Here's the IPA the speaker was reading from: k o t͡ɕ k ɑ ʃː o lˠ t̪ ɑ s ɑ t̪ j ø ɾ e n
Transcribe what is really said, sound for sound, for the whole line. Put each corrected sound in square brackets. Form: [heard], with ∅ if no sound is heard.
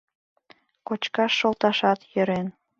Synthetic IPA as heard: k o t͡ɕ k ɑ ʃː o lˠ t̪ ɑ [ʃ] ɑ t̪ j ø ɾ e n